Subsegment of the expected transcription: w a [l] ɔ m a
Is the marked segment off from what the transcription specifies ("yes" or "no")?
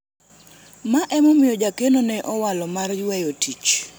no